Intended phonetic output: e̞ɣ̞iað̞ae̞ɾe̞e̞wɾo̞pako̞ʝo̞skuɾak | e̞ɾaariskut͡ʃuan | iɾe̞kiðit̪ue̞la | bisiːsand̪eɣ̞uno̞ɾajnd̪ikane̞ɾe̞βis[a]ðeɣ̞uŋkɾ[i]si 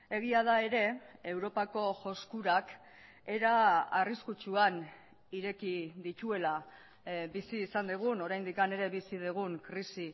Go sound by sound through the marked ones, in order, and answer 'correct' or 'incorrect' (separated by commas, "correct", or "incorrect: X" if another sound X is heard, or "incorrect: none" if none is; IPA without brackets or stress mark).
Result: incorrect: i, correct